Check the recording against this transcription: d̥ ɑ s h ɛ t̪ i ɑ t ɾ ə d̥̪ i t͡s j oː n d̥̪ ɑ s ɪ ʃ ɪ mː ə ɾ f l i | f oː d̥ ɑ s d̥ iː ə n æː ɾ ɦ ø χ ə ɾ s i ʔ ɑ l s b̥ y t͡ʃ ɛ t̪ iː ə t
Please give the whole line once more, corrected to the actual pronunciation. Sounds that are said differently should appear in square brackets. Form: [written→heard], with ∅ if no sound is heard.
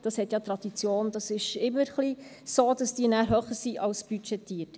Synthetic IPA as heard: d̥ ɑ s h ɛ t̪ [i→j] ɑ t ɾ [ə→ɑ] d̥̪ i t͡s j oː n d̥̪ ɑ s ɪ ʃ ɪ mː ə ɾ [f→χ] l i | [f→s] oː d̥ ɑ s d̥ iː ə n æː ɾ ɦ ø χ ə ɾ s i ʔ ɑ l s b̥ y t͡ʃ ɛ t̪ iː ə t